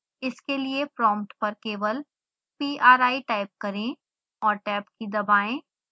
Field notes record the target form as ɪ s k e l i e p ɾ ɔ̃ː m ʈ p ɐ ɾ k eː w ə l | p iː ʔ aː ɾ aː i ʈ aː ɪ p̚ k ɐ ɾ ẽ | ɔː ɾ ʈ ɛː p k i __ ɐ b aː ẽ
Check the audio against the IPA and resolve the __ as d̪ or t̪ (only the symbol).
d̪